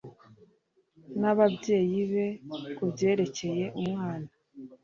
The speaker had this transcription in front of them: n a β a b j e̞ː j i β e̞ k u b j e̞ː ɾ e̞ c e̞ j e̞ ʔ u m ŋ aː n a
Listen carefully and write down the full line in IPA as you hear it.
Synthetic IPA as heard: n a β a b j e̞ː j i β e̞ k u b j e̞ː ɾ e̞ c e̞ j e̞ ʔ u m ŋ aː n a